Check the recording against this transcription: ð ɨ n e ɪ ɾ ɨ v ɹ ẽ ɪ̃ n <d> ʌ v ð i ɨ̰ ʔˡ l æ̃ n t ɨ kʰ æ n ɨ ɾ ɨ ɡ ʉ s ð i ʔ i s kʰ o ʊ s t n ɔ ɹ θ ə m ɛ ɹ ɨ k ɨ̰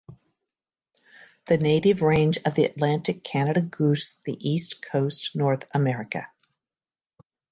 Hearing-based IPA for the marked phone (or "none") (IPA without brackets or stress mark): d͡ʒ